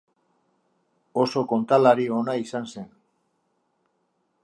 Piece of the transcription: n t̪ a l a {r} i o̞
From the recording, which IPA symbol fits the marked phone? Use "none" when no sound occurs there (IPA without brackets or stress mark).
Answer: ɾ